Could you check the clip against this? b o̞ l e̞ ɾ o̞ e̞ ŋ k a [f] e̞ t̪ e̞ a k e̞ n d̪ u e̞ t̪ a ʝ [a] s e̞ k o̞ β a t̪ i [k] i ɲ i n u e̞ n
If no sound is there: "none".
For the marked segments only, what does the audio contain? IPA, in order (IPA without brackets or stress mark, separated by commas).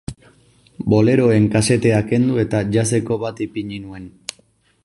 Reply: s, a, p